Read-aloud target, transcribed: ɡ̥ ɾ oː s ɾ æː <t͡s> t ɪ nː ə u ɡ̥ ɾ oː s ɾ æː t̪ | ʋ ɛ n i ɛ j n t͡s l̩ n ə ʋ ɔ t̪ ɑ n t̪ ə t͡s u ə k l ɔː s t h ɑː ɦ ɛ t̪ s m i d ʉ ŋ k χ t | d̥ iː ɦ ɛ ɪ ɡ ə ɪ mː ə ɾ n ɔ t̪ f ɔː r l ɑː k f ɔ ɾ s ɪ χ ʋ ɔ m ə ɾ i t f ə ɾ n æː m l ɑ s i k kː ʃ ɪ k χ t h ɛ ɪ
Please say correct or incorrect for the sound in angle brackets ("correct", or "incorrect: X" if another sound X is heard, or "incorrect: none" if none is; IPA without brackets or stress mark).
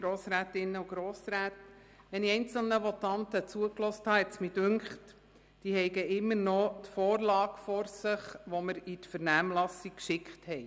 incorrect: none